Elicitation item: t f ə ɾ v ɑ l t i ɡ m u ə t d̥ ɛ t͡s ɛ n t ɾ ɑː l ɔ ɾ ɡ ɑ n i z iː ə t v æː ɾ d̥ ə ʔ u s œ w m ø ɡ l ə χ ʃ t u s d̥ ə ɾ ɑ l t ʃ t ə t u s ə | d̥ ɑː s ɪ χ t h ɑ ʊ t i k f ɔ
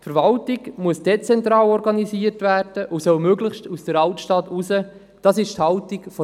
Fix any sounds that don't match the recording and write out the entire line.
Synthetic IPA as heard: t f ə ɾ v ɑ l t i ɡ m u ə s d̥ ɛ t͡s ɛ n t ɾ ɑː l ɔ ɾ ɡ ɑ n i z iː ə t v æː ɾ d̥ ə ʔ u s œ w m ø ɡ l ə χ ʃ t u s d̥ ə ɾ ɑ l t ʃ t ɑ t u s ə | d̥ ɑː s ɪ ʃ t h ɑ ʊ t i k f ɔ